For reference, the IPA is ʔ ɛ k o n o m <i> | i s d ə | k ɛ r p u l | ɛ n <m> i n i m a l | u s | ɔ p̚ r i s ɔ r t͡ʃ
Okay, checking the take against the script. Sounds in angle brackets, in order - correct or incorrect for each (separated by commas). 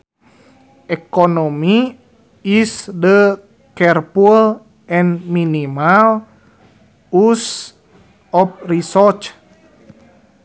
correct, correct